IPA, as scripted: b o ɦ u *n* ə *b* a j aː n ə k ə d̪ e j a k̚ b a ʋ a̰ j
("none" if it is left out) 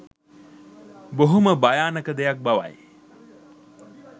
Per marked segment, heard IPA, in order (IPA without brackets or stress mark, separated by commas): m, b